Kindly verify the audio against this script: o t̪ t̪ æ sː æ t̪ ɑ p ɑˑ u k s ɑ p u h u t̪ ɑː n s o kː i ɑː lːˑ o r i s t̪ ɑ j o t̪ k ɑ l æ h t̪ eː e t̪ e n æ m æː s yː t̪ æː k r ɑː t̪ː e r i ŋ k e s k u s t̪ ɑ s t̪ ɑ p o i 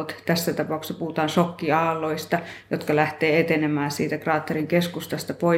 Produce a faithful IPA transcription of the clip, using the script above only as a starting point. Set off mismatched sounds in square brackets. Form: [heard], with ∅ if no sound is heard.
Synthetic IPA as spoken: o t̪ t̪ æ sː æ t̪ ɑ p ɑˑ u k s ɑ p u h u t̪ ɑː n s o kː i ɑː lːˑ o [∅] i s t̪ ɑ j o t̪ k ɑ l æ h t̪ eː e t̪ e n [e] m æː s [iː] t̪ [æ] k r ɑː t̪ː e r i ŋ k e s k u s t̪ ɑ s t̪ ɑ p o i